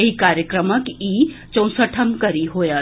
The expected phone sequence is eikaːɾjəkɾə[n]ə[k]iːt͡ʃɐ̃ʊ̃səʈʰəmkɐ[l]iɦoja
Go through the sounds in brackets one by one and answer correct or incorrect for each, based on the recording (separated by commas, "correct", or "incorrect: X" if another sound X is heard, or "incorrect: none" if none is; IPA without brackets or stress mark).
incorrect: m, correct, incorrect: ɾ